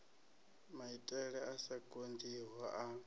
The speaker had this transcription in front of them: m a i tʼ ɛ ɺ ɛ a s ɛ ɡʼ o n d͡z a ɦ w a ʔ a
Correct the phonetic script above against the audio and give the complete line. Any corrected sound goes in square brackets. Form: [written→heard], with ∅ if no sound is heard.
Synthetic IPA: m a i tʼ ɛ ɺ ɛ a s [ɛ→a] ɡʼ o n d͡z [a→i] ɦ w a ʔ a